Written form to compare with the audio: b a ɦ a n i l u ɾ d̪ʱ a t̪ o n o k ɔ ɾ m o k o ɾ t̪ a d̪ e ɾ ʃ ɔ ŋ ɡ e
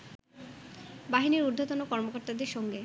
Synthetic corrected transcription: b a ɦ i n i ɾ u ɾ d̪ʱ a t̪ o n o k ɔ ɾ m o k o ɾ t̪ a d̪ e ɾ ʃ ɔ ŋ ɡ e